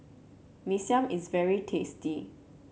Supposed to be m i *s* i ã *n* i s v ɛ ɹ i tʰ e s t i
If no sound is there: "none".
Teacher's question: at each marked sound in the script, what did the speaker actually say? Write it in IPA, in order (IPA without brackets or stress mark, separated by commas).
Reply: s, m